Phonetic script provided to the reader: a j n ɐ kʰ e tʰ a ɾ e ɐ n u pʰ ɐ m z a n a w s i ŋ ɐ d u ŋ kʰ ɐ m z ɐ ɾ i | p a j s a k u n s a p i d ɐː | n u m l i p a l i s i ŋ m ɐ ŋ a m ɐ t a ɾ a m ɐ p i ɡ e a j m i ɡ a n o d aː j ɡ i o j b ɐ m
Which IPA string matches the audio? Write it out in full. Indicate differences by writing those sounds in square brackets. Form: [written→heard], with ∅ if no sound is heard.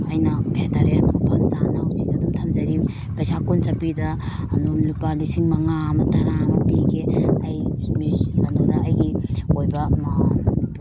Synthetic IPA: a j n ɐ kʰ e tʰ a ɾ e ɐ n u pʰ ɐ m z a n a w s i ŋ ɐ d u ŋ [kʰ→tʰ] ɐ m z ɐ ɾ i | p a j s a k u n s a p i d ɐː | n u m l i p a l i s i ŋ m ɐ ŋ a m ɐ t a ɾ a m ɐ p i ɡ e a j m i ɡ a n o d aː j ɡ i o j b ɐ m